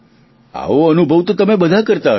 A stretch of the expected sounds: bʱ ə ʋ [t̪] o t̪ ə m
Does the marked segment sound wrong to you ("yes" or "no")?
no